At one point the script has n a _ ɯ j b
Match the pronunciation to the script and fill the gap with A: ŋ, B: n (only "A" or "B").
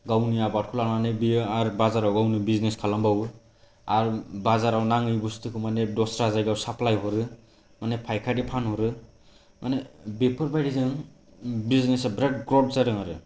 A